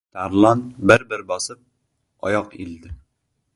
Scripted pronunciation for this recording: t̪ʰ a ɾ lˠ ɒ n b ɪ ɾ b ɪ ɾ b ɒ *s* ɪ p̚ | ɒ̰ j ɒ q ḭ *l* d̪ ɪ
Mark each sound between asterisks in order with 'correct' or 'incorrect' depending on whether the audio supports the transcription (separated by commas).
correct, correct